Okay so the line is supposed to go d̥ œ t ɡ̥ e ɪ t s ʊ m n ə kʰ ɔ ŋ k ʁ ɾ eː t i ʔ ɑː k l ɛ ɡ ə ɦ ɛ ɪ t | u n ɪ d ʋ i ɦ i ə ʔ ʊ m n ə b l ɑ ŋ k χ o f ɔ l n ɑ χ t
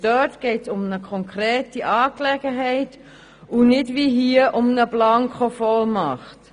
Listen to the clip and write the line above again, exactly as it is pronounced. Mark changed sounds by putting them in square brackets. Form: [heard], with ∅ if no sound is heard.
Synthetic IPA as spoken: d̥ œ t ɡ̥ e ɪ t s ʊ m n ə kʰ ɔ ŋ k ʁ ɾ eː t i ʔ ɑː k l ɛ ɡ ə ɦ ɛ ɪ t | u n ɪ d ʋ i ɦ i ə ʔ ʊ m n ə b l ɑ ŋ k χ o f ɔ l [m] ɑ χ t